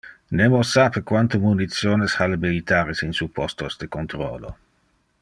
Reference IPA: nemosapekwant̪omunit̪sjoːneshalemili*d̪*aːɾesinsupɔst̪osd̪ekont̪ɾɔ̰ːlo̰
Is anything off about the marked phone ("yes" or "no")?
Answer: yes